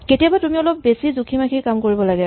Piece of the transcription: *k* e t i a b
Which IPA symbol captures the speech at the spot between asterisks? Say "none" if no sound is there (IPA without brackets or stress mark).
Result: k